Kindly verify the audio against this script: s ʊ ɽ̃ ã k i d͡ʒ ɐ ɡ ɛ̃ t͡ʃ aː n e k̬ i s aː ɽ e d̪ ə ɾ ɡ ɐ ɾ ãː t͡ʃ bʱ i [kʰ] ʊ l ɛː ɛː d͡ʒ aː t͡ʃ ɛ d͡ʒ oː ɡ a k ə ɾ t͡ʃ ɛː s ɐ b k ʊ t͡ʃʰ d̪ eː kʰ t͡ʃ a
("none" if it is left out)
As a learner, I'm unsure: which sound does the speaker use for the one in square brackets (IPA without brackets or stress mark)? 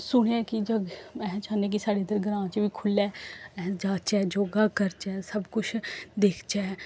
kʰ